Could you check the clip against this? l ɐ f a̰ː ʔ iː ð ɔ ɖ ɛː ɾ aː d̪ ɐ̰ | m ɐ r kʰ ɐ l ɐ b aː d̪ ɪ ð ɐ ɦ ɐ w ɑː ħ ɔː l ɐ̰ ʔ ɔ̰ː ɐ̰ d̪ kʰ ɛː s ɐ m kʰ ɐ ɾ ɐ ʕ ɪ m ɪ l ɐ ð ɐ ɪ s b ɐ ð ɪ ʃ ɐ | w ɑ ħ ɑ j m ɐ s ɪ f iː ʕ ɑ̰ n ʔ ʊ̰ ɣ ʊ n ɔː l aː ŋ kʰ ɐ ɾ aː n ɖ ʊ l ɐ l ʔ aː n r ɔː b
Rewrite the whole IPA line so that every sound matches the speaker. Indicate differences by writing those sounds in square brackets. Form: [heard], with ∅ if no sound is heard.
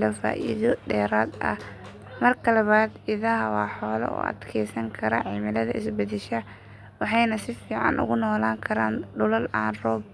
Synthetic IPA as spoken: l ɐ f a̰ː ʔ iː ð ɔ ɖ ɛː ɾ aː d̪ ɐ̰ | m ɐ r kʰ ɐ l ɐ [β] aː d̪ ɪ ð ɐ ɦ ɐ w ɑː ħ ɔː l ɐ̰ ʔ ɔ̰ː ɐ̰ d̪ kʰ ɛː s ɐ [ŋ] kʰ ɐ ɾ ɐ ʕ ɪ m ɪ l ɐ ð ɐ ɪ s b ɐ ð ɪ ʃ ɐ | w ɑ ħ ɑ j [n] ɐ s ɪ f iː ʕ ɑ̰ n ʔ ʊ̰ ɣ ʊ n ɔː l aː ŋ kʰ ɐ ɾ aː n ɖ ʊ l ɐ l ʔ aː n r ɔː b